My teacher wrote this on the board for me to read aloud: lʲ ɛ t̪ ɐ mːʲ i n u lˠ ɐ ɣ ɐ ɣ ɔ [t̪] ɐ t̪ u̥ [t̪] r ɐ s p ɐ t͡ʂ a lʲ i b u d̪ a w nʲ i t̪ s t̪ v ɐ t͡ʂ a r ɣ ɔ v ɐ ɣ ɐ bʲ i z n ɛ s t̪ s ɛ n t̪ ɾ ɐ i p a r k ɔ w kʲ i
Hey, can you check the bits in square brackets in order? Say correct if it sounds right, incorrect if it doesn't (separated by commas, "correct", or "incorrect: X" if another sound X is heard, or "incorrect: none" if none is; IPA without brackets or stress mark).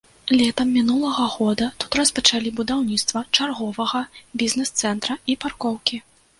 incorrect: d̪, correct